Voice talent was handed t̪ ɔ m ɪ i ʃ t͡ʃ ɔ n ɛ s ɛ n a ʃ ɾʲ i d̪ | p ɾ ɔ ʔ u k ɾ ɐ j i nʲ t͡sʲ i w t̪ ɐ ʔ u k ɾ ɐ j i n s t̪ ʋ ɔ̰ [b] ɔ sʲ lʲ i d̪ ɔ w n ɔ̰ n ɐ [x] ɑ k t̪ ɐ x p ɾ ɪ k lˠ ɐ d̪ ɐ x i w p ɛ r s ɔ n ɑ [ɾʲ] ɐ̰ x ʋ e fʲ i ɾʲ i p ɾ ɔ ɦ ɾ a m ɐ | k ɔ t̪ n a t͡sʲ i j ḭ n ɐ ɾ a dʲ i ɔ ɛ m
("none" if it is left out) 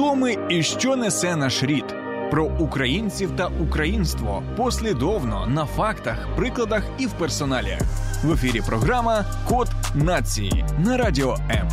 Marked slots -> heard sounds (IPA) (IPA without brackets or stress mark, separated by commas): p, f, lʲ